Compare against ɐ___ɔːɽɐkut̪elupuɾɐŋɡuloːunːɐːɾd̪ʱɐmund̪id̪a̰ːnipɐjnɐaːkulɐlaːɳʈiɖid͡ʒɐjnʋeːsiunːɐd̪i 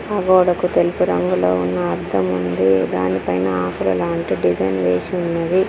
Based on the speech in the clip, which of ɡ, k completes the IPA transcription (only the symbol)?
ɡ